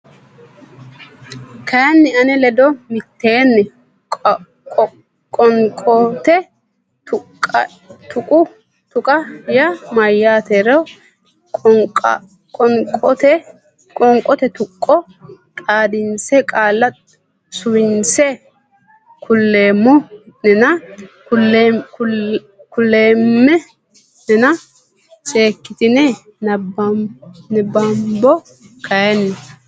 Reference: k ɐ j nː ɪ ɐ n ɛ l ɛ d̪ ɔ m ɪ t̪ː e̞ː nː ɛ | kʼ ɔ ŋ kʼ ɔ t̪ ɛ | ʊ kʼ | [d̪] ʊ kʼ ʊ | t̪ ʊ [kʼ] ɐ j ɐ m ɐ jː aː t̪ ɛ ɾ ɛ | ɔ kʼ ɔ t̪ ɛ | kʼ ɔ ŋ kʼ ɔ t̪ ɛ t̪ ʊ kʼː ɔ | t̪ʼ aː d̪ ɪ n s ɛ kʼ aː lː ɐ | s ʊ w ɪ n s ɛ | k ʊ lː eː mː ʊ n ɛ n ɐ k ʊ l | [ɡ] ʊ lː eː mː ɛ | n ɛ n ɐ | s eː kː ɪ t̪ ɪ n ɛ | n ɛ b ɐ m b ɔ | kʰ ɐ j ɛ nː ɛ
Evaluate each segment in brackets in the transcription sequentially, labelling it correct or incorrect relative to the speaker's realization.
incorrect, correct, incorrect

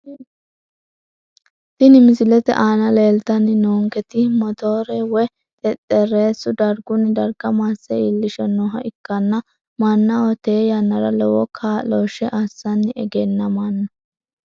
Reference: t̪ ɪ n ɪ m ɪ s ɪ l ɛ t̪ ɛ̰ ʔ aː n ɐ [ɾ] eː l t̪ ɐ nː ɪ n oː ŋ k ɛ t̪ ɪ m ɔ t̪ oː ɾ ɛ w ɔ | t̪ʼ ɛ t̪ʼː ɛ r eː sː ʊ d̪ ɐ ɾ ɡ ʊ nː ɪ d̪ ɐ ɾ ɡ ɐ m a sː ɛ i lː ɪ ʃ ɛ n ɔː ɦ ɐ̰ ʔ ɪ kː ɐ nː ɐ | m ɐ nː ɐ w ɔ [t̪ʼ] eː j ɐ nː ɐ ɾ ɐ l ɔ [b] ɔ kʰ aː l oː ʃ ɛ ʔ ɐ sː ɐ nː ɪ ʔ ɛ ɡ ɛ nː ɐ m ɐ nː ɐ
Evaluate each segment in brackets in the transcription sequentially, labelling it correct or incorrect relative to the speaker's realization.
incorrect, incorrect, incorrect

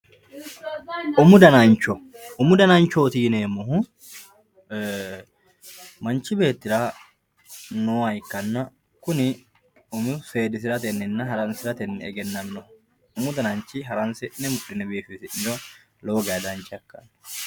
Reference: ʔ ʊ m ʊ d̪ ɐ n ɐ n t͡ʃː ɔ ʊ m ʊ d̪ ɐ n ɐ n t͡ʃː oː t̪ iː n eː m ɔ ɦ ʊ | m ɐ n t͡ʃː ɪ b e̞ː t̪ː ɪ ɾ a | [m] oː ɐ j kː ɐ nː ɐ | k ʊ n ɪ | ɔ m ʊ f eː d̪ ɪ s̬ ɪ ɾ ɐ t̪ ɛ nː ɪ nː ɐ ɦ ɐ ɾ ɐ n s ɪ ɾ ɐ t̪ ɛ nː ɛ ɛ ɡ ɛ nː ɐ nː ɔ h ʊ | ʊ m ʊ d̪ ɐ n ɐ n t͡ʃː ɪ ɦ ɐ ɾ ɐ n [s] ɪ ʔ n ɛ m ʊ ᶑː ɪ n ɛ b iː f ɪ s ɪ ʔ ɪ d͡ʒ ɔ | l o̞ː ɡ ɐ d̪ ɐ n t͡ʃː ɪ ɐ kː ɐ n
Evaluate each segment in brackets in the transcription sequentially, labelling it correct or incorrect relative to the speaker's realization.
incorrect, correct

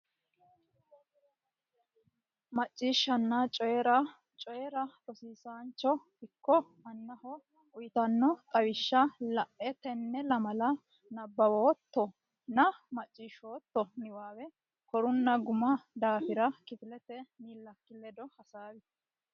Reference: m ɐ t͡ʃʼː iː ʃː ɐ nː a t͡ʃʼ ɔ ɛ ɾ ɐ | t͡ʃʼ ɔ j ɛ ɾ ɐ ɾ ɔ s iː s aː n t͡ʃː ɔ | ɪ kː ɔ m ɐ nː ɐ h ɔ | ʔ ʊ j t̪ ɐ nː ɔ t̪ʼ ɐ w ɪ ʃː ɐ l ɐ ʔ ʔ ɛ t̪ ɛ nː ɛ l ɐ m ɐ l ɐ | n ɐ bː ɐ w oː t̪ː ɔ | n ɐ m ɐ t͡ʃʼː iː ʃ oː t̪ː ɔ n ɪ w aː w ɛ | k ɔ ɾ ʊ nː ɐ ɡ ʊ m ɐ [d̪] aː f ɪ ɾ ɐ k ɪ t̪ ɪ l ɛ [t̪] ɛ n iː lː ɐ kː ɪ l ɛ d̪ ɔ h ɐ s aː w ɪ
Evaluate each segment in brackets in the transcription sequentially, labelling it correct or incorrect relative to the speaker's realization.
correct, correct

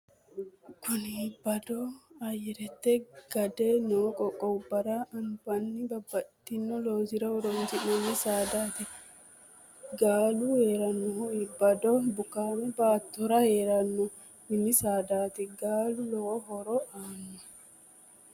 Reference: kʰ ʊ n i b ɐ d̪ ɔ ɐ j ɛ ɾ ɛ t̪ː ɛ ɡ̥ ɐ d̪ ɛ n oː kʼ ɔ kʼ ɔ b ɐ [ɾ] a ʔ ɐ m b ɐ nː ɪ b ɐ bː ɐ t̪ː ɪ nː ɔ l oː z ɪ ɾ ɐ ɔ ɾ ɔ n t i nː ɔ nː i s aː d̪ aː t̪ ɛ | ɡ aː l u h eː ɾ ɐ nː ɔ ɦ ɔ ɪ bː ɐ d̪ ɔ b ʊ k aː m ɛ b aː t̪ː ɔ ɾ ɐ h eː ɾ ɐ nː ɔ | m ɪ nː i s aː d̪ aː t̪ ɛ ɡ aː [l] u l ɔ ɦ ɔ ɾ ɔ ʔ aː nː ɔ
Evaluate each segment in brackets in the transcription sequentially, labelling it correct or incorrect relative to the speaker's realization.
correct, correct

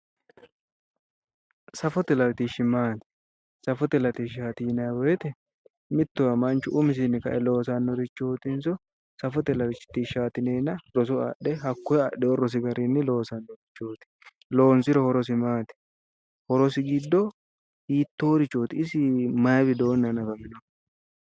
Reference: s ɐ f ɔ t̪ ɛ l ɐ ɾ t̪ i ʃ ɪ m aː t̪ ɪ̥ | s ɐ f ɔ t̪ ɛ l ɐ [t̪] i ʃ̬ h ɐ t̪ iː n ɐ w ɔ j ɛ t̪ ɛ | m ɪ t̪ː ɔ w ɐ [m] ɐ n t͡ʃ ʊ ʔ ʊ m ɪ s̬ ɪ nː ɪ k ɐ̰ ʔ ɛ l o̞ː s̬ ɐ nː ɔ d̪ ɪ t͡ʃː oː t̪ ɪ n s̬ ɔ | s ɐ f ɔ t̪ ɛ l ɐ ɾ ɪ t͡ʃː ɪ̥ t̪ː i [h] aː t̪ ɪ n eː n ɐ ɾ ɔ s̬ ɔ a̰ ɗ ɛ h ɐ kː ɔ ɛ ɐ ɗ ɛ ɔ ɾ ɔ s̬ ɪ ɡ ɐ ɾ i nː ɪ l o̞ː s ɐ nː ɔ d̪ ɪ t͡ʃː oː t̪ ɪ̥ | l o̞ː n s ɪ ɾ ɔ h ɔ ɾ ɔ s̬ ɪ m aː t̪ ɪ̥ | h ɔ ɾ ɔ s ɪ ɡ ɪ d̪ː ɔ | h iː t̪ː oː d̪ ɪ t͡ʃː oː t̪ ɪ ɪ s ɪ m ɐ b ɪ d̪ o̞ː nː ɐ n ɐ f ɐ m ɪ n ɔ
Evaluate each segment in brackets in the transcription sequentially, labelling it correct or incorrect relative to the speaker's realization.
correct, correct, incorrect

